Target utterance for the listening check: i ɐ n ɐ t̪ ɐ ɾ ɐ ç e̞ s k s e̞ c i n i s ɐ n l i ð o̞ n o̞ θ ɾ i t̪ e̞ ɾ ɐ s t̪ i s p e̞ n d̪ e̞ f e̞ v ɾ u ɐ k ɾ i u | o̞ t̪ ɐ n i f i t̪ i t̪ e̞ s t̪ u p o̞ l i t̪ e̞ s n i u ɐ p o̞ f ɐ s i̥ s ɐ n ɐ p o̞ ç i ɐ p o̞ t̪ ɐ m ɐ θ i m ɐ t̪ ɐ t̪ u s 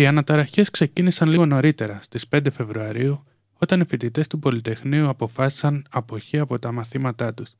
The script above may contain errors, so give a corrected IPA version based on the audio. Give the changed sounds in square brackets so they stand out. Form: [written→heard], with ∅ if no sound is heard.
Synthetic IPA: i ɐ n ɐ t̪ ɐ ɾ ɐ ç e̞ s k s e̞ c i n i s ɐ n l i [ð→ɣ] o̞ n o̞ [θ→∅] ɾ i t̪ e̞ ɾ ɐ s t̪ i s p e̞ n d̪ e̞ f e̞ v ɾ u ɐ [k→∅] ɾ i u | o̞ t̪ ɐ n i f i t̪ i t̪ e̞ s t̪ u p o̞ l i t̪ e̞ [s→x] n i u ɐ p o̞ f ɐ s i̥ s ɐ n ɐ p o̞ ç i ɐ p o̞ t̪ ɐ m ɐ θ i m ɐ t̪ ɐ t̪ u s